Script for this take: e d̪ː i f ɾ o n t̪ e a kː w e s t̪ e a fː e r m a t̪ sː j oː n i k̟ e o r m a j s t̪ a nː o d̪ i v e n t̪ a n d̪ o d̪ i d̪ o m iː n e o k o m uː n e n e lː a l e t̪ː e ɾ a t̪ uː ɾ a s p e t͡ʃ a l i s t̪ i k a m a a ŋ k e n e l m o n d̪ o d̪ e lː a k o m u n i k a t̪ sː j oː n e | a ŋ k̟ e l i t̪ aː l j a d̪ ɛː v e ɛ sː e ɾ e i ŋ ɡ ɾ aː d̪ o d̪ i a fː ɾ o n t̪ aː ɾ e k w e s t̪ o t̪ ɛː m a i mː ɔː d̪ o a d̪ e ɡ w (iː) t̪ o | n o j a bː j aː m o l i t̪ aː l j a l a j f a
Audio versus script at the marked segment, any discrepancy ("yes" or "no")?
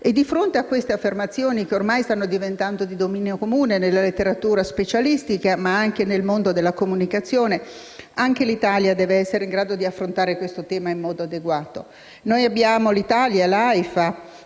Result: yes